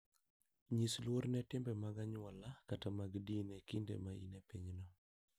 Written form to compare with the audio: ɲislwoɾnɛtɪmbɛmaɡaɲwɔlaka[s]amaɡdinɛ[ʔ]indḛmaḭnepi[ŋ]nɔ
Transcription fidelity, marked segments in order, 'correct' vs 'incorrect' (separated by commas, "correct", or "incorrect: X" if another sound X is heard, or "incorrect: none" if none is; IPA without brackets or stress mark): incorrect: t, incorrect: k, incorrect: ɲ